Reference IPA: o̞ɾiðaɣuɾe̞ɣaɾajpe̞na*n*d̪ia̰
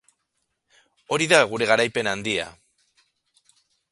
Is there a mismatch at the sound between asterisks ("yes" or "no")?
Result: no